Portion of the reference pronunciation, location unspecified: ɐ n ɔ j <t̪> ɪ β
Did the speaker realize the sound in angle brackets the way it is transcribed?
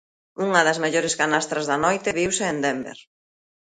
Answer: yes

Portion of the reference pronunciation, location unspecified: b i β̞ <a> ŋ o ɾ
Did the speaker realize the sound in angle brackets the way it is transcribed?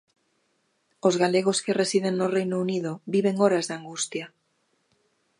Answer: no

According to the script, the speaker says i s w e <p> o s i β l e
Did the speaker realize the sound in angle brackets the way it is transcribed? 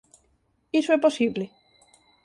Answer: yes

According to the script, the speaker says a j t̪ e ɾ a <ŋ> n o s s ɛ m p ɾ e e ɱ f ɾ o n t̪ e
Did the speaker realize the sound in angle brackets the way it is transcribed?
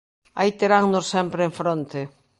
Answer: yes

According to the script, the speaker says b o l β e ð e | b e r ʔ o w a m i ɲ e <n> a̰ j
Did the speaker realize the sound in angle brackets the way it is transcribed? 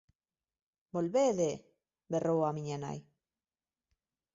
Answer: yes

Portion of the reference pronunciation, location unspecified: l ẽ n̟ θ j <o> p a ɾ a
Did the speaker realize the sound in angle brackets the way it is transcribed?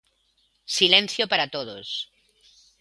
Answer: yes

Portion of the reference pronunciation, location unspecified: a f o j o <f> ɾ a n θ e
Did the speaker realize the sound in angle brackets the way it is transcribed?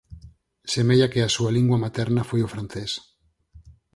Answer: yes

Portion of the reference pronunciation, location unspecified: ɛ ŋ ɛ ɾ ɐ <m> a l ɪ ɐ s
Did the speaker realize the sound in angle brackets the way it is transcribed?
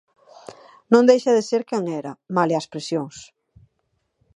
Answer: yes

